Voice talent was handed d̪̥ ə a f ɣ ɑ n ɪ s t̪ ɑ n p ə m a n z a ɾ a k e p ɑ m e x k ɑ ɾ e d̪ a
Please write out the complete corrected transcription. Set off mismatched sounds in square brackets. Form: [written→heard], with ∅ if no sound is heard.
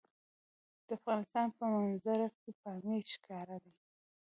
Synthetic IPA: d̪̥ ə a f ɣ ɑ n ɪ s t̪ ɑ n p ə m a n z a ɾ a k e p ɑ m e [x→ʃ] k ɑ ɾ [e→a] d̪ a